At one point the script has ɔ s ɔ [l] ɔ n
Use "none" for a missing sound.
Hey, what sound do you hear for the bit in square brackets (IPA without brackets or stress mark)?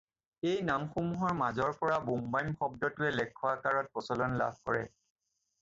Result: l